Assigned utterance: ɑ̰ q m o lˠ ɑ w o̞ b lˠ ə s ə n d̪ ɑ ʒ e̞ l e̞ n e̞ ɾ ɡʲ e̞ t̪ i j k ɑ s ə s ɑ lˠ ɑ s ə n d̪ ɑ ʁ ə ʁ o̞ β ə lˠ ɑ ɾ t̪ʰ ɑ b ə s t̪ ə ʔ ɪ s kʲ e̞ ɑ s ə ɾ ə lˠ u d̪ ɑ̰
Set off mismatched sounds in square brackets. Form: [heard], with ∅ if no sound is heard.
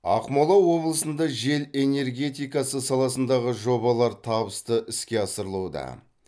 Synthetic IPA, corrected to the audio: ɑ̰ q m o lˠ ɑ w o̞ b lˠ ə s ə n d̪ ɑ ʒ e̞ l e̞ n e̞ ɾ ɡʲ e̞ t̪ i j k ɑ s ə s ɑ lˠ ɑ s ə n d̪ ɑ ʁ ə [ʒ] o̞ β [ɑ] lˠ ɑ ɾ t̪ʰ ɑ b ə s t̪ ə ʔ ɪ s kʲ e̞ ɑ s ə ɾ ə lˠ u d̪ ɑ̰